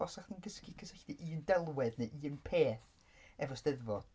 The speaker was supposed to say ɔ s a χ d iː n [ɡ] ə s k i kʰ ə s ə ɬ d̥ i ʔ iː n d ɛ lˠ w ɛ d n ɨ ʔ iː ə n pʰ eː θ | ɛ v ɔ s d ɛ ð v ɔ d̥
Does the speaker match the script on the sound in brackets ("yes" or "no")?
yes